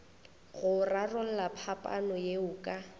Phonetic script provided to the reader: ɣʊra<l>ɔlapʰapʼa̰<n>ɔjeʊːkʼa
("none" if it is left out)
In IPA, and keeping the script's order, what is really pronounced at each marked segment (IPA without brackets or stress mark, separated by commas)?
r, n